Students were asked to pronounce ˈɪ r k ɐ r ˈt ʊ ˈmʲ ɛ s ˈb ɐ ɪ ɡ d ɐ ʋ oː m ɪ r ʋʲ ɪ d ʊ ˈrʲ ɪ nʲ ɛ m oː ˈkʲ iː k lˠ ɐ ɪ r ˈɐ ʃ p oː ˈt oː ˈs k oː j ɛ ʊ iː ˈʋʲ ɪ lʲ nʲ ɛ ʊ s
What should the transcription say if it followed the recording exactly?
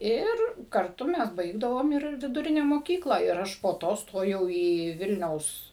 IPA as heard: ˈɪ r k ɐ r ˈt ʊ ˈmʲ ɛ s ˈb ɐ ɪ ɡ d ɐ ʋ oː m ɪ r ʋʲ ɪ d ʊ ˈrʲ ɪ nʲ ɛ m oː ˈkʲ iː k lˠ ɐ ɪ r ˈɐ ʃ p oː ˈt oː ˈs t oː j ɛ ʊ iː ˈʋʲ ɪ lʲ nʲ ɛ ʊ s